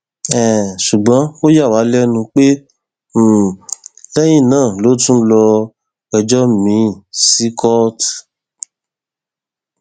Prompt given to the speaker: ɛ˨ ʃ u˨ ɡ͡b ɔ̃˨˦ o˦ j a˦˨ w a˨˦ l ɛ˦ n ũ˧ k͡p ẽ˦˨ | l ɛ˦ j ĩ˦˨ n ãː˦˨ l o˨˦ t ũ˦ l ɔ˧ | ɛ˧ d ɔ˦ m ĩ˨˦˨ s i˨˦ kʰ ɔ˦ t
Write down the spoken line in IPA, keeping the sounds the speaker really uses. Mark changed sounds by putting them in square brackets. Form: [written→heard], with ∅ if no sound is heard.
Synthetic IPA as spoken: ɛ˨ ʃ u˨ ɡ͡b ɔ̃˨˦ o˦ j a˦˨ w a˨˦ l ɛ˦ n ũ˧ k͡p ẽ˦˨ | l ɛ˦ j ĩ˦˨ n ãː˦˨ l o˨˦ t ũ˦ l ɔ˧ | ɛ˧ [d→d͡ʒ] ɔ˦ m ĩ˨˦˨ s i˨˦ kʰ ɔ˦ t

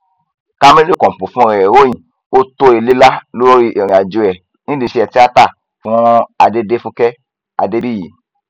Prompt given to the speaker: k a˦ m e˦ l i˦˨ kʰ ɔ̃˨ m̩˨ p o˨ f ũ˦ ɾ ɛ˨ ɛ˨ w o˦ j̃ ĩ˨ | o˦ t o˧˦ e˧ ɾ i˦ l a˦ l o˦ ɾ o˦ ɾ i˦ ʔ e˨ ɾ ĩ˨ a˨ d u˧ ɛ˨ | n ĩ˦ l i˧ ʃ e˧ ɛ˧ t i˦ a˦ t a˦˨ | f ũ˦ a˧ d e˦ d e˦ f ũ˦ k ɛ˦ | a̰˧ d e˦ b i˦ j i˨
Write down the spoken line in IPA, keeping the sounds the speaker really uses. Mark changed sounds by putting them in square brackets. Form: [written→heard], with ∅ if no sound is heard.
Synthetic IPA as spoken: k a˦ m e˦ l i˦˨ [kʰ→k] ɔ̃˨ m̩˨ p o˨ f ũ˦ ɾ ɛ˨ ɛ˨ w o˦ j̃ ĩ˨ | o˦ t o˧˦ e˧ [ɾ→l] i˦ l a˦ l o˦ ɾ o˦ ɾ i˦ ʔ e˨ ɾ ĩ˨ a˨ [d→d͡ʒ] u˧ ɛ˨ | n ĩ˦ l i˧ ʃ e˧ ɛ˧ t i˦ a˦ t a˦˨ | f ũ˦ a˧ d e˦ d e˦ f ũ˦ k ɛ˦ | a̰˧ d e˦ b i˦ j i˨

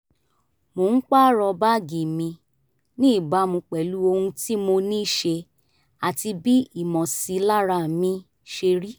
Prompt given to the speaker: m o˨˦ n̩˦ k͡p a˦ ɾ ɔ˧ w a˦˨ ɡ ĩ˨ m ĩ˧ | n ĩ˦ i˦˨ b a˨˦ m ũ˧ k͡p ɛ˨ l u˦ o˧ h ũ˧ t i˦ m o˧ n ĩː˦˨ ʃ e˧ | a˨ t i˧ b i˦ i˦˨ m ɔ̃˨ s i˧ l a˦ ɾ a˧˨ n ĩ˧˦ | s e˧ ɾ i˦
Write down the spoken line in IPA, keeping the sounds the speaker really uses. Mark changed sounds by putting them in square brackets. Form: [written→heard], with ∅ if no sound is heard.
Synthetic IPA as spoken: m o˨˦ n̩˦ k͡p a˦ ɾ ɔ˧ [w→b] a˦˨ ɡ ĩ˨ m ĩ˧ | n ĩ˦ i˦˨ b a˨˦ m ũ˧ k͡p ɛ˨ l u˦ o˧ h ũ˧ t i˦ m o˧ n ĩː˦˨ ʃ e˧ | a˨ t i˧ b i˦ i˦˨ m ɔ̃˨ s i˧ l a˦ ɾ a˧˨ [n→m] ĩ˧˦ | [s→ʃ] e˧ ɾ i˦

